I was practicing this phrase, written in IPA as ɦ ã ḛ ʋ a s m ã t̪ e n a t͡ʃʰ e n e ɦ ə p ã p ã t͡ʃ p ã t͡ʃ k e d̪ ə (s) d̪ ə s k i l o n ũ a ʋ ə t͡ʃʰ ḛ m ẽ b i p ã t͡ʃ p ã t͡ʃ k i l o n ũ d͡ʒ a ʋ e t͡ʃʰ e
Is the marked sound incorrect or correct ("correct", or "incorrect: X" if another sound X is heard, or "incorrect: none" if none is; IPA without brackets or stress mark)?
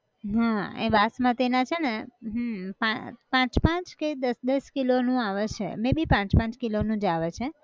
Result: correct